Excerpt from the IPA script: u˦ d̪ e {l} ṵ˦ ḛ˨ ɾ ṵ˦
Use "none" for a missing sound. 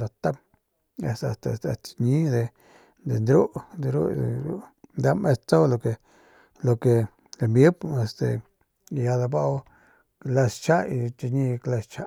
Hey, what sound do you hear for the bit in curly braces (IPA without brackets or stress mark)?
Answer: ɾ